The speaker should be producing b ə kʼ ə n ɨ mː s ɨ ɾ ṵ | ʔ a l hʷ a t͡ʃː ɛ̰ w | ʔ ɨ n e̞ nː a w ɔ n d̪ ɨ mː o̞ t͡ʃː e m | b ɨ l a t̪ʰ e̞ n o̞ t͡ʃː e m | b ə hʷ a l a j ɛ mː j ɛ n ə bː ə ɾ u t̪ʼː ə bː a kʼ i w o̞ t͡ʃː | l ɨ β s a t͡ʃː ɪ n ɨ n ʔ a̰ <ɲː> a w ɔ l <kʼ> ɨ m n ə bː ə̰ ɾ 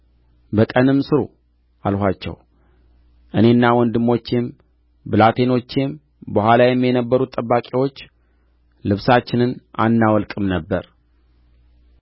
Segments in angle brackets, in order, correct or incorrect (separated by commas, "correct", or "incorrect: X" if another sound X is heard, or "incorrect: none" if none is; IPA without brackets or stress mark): incorrect: nː, correct